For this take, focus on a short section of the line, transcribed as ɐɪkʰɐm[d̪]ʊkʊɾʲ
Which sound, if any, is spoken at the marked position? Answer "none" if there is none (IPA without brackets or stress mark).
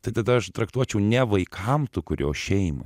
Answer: t̪